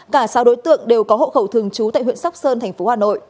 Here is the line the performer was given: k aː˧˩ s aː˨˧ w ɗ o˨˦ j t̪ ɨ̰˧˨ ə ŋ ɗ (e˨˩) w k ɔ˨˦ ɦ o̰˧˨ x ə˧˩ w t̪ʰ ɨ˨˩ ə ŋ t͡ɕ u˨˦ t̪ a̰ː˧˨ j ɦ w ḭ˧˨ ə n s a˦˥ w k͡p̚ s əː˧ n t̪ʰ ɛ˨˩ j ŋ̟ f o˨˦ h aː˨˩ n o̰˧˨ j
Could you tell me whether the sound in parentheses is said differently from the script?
no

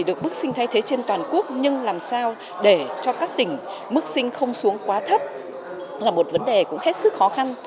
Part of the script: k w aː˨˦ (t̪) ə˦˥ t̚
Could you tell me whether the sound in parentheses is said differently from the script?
yes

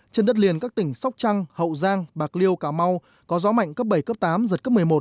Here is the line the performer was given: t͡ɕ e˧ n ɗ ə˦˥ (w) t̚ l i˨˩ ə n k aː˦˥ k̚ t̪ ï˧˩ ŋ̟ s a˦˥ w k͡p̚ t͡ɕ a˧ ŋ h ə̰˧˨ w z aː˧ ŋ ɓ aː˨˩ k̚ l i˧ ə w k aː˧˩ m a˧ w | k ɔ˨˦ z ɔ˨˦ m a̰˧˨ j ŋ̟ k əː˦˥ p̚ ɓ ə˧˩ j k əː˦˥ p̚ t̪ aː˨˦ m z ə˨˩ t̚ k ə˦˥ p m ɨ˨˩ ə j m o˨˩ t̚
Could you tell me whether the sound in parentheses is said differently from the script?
yes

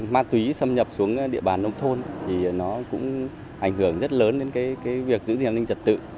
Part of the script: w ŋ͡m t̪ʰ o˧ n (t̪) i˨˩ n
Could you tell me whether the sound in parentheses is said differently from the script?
yes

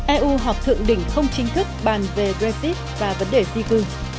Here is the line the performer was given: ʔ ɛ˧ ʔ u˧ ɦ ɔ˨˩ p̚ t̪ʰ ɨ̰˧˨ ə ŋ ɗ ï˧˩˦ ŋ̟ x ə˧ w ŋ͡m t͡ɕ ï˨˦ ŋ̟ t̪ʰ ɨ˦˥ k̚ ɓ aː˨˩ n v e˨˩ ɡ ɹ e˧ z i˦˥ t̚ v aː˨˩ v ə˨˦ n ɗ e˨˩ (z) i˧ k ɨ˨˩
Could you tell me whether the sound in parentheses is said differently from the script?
no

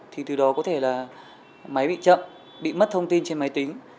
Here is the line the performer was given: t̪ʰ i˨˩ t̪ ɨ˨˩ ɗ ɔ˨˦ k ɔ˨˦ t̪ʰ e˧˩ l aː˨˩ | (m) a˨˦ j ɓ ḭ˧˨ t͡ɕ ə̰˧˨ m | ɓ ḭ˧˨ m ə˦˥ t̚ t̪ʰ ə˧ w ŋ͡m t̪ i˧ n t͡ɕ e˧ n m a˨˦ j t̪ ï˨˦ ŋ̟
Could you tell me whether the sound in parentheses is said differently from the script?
no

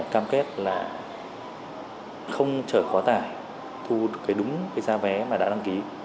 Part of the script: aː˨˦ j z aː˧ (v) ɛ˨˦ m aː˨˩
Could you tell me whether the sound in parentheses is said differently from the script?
no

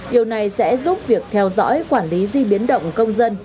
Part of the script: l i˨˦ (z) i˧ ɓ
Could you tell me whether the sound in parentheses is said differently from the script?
no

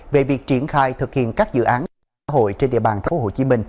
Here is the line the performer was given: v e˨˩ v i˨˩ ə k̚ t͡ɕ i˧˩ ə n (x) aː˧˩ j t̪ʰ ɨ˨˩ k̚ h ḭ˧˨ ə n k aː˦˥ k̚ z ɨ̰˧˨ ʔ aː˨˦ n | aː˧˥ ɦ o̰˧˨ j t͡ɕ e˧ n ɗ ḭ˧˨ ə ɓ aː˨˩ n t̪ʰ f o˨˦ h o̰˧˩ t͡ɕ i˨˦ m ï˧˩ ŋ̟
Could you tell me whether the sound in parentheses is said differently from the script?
no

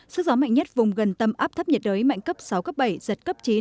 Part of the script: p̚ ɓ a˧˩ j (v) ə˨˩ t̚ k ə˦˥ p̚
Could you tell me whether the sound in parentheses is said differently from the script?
yes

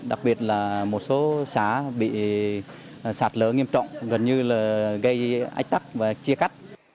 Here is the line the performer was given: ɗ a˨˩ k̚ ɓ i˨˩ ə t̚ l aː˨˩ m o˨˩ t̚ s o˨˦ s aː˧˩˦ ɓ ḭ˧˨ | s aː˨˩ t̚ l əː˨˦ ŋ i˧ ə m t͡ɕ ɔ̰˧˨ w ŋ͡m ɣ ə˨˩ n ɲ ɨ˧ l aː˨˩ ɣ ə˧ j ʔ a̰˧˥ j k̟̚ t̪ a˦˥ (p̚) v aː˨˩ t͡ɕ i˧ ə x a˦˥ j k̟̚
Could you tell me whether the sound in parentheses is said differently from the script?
yes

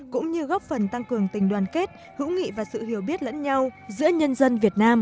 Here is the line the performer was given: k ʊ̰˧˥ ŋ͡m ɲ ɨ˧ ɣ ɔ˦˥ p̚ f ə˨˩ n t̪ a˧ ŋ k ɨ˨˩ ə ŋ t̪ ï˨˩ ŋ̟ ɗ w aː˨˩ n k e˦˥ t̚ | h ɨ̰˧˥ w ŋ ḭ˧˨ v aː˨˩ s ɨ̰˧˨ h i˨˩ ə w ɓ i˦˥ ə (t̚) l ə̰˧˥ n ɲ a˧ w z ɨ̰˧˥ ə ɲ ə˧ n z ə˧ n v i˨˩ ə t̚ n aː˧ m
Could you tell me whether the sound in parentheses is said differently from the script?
no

